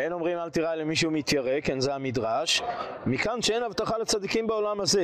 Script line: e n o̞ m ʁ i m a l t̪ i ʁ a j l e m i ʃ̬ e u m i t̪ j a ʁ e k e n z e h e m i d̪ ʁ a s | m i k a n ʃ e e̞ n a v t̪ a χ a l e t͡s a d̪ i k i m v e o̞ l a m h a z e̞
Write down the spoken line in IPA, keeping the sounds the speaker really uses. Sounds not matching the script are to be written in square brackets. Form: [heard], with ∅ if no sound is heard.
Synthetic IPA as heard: e n o̞ m ʁ i m a l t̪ i ʁ a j l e m i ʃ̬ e u m i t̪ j a ʁ e k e n z e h [a] m i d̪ ʁ a [ʃ] | m i k a n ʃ e e̞ n a v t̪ a χ a l e t͡s a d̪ i k i m [b] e o̞ l a m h a z e̞